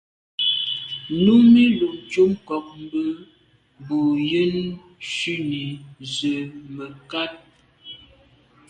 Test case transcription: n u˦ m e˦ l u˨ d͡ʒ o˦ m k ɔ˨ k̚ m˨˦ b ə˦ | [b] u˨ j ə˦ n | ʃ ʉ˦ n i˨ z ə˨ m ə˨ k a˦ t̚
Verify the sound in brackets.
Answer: correct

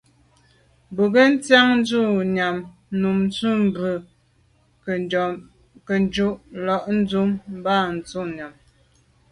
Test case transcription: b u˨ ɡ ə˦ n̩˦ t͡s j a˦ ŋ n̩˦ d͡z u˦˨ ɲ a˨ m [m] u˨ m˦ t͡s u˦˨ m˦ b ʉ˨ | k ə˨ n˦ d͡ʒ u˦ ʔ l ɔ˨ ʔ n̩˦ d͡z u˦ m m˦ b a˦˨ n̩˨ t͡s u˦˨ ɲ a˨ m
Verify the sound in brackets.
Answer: incorrect: n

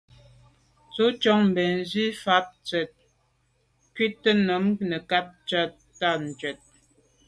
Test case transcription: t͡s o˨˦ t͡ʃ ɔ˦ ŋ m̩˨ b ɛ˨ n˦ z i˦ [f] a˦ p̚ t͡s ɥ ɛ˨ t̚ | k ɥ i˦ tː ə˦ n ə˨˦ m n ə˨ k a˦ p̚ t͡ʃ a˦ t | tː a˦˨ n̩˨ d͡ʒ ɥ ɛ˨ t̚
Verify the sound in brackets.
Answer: correct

